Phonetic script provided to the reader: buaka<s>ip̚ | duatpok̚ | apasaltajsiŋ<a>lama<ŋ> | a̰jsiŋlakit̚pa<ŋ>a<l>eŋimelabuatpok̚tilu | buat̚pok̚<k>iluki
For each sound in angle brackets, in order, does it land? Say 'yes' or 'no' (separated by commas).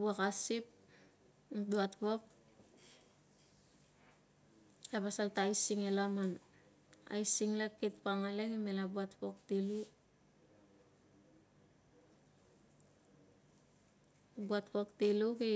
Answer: yes, no, no, yes, yes, no